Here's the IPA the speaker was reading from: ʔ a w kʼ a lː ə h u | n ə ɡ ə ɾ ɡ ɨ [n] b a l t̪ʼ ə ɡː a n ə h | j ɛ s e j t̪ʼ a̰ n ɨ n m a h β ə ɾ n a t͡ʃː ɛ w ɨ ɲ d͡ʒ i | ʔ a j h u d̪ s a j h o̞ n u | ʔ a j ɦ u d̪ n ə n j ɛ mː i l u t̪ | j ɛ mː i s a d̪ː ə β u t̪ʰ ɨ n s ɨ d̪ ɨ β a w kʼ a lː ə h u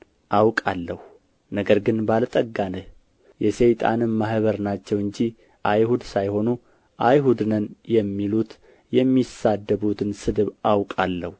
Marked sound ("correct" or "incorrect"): correct